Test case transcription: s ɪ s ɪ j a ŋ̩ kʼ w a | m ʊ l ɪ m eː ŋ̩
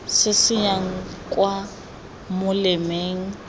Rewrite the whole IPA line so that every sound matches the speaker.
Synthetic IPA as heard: s ɪ s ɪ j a ŋ̩ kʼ w a | m ʊ l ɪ m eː ŋ̩